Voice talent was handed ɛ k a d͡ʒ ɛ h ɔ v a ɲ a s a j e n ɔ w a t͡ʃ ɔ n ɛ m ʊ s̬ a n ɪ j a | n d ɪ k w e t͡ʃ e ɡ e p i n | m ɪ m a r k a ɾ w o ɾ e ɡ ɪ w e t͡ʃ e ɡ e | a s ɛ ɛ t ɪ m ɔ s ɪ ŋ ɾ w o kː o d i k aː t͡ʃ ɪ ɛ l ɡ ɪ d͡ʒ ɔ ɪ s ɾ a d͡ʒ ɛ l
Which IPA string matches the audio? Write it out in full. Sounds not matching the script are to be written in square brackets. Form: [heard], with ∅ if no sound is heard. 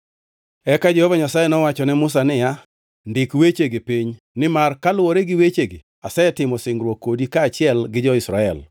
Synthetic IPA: ɛ k a d͡ʒ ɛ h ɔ v a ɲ a s a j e n ɔ w a t͡ʃ ɔ n ɛ m ʊ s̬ a n ɪ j a | n d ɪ k w e t͡ʃ e ɡ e p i [ɲ] | [n] ɪ m a r k a [l] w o ɾ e ɡ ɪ w e t͡ʃ e ɡ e | a s ɛ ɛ t ɪ m ɔ s ɪ ŋ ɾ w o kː o d i k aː t͡ʃ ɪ ɛ l ɡ ɪ d͡ʒ ɔ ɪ s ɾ a [∅] ɛ l